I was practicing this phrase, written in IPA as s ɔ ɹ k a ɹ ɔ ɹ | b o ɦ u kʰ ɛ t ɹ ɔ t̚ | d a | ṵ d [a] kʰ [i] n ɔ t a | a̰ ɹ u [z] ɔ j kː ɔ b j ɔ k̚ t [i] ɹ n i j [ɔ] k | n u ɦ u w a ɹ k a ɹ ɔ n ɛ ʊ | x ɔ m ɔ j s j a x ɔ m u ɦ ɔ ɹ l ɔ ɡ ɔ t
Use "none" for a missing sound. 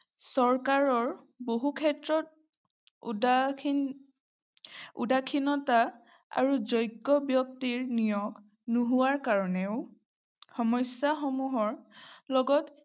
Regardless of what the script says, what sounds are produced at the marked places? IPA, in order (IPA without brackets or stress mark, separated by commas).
a, i, z, i, ɔ